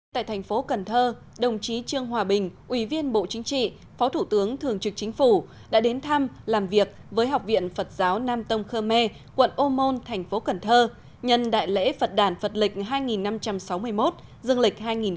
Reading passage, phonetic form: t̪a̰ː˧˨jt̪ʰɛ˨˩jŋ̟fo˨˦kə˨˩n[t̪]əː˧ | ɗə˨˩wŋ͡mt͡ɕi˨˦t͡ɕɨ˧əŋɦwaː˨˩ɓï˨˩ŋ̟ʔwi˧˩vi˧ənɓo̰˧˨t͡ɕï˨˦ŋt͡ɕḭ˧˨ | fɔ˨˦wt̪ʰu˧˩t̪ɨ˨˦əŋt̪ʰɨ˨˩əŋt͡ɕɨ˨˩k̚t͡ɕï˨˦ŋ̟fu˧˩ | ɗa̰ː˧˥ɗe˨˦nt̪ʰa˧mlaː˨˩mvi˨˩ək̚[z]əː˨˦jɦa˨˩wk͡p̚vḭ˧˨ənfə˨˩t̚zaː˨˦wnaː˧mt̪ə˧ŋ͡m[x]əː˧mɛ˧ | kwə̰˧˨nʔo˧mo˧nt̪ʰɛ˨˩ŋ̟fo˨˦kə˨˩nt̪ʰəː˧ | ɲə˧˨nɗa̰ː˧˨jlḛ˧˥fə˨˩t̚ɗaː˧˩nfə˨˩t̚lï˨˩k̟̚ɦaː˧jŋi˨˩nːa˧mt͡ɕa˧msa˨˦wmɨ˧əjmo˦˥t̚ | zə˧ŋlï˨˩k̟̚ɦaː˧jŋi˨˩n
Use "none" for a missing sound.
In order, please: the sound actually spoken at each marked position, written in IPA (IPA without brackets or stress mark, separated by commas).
t̪ʰ, v, x